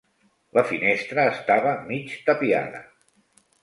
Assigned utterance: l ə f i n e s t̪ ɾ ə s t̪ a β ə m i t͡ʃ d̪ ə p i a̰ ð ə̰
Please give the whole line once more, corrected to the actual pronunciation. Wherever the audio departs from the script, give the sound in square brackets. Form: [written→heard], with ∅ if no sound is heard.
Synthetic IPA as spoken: l ə f i n e s t̪ ɾ [ə→əː] s t̪ a β ə m i t͡ʃ [d̪→t̪] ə p i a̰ ð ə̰